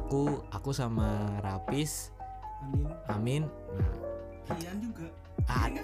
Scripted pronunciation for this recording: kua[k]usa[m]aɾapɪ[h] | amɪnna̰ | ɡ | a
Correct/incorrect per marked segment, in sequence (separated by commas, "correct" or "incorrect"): correct, correct, incorrect